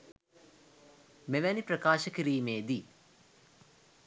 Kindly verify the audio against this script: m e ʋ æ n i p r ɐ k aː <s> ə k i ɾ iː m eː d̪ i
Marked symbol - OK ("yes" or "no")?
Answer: no